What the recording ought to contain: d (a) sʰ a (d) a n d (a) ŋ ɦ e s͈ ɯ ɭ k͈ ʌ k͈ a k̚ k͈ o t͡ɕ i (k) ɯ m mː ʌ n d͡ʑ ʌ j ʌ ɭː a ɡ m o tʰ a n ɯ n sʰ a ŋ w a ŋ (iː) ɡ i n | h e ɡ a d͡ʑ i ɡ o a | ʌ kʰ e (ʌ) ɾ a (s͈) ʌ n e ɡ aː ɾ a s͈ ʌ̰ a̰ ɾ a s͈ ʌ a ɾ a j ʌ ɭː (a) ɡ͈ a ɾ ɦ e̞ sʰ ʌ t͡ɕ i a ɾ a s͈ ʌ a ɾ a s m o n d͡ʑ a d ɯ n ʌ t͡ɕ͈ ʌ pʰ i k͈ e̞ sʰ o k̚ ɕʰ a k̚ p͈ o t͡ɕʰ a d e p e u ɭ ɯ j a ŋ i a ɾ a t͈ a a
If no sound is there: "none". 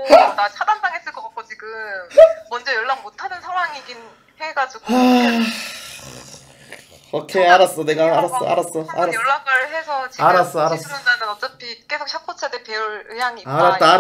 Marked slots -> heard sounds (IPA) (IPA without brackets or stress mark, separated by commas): a, d, a, ɡ, i, a, s͈, a